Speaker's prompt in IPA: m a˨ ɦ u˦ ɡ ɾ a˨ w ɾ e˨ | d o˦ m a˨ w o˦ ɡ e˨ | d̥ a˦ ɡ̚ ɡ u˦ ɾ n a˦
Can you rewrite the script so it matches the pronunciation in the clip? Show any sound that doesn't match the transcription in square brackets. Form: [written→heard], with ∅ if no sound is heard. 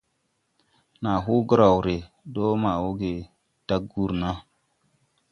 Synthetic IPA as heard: [m→n] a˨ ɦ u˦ ɡ ɾ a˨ w ɾ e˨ | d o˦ m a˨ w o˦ ɡ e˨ | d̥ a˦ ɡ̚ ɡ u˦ ɾ n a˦